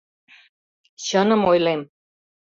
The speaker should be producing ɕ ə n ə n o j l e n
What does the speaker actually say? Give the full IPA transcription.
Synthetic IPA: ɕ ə n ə m o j l e m